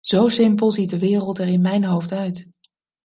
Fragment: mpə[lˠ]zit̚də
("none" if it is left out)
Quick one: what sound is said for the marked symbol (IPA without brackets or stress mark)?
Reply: lˠ